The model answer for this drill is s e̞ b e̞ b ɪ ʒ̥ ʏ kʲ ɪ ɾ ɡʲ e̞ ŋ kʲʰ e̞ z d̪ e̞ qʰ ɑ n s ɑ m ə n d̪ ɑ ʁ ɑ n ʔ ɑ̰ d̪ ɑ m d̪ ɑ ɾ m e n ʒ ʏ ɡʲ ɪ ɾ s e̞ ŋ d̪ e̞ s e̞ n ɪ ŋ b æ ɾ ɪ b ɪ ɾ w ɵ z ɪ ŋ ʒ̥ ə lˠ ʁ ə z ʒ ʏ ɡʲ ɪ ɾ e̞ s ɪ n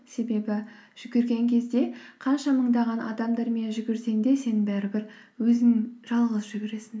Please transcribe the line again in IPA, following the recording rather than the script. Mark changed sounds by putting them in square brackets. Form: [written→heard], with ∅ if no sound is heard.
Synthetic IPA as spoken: s e̞ b e̞ b ɪ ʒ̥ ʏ [kʲ→ɡʲ] ɪ ɾ ɡʲ e̞ ŋ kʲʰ e̞ z d̪ e̞ qʰ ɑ n [s→ʃ] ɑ m ə [n→ɴ] d̪ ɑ ʁ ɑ n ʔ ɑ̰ d̪ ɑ m d̪ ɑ ɾ m e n ʒ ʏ ɡʲ ɪ ɾ s e̞ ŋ d̪ e̞ s e̞ n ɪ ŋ b æ ɾ ɪ b ɪ ɾ w ɵ z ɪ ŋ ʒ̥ [ə→ɑ] lˠ ʁ ə z ʒ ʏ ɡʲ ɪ ɾ e̞ s ɪ n